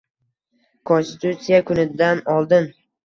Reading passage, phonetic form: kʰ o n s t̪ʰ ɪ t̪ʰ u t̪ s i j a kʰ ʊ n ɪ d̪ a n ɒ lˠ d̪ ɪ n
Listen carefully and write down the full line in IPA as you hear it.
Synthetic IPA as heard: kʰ o n s t̪ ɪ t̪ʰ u t̪ s i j a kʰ ʊ n ɪ d̪ a n ɒ lˠ d̪ ɪ n